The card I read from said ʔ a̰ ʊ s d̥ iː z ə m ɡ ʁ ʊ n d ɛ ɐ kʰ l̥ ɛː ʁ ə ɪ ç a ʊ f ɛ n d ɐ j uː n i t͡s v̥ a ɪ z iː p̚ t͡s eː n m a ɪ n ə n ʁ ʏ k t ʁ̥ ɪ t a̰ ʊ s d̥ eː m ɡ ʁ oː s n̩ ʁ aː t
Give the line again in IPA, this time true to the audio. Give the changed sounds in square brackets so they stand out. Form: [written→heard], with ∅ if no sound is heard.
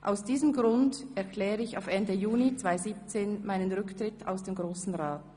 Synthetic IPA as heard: ʔ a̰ ʊ s d̥ iː z ə m ɡ ʁ ʊ n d ɛ ɐ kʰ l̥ ɛː ʁ ə ɪ ç a ʊ f ɛ n d [ɐ→ə] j uː n i t͡s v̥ a ɪ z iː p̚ t͡s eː n m a ɪ n ə n ʁ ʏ k t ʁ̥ ɪ t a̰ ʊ s d̥ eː m ɡ ʁ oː s n̩ ʁ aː t